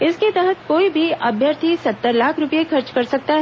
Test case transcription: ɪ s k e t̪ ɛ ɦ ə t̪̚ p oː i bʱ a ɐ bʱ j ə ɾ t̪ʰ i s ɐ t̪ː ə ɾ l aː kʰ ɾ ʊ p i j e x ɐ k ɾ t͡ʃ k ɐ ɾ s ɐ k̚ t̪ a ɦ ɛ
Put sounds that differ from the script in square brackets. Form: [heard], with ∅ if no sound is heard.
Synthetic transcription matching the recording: ɪ s k e t̪ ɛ ɦ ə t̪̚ [k] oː i bʱ [i] ɐ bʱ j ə ɾ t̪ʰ i s ɐ t̪ː ə ɾ l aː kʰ ɾ ʊ p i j e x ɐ [∅] ɾ t͡ʃ k ɐ ɾ s ɐ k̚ t̪ a ɦ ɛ